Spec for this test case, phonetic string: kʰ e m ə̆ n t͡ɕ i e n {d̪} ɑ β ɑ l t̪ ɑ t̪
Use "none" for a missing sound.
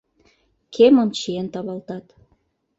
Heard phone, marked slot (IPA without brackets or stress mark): t̪